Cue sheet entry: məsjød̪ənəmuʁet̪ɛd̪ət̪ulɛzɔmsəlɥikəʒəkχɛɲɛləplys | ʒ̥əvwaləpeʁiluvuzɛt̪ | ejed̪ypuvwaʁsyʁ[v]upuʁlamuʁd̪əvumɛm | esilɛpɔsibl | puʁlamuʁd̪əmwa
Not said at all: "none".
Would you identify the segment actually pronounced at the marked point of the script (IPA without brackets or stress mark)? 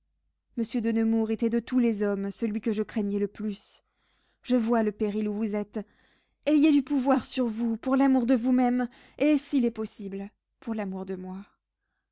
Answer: v